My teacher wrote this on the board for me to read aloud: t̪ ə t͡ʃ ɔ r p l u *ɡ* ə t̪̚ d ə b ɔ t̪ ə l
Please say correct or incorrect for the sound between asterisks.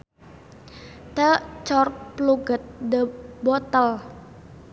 correct